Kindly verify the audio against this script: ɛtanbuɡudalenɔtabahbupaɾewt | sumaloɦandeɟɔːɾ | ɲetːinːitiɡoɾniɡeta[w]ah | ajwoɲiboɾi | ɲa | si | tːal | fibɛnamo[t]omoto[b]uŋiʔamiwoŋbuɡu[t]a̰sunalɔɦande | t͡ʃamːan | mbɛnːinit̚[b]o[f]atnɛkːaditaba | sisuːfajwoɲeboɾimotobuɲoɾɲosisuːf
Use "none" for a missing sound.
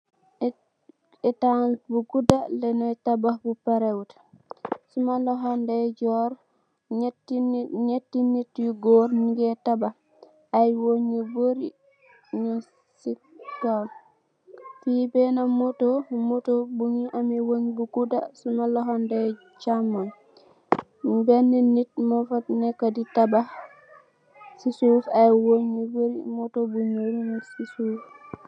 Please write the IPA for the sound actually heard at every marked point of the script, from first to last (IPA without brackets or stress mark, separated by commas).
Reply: b, t, b, d, m, f